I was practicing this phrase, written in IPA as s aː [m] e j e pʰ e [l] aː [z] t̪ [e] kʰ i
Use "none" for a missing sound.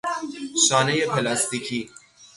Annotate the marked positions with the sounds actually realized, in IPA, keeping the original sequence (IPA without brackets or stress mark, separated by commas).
n, l, s, i